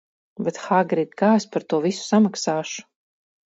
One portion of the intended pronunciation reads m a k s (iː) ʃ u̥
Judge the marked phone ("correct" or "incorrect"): incorrect